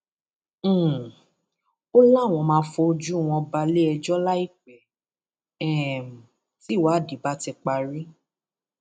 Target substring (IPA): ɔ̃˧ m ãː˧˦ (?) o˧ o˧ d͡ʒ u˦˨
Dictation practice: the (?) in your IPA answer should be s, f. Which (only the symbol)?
f